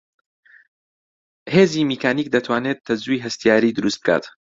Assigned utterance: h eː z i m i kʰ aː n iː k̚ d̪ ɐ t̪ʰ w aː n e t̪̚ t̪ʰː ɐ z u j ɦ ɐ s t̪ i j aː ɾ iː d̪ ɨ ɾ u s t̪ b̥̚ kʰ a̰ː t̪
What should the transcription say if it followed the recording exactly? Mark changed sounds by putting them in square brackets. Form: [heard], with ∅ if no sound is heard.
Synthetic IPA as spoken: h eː z i m i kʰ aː n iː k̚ d̪ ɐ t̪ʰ w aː n e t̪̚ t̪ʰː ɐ z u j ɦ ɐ s t̪ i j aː ɾ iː d̪ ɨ ɾ u s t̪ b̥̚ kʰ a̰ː t̪